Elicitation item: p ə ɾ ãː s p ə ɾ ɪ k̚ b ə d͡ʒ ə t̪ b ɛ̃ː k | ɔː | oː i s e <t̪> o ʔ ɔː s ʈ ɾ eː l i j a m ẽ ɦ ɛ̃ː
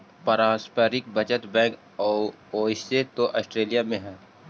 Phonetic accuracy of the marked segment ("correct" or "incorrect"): correct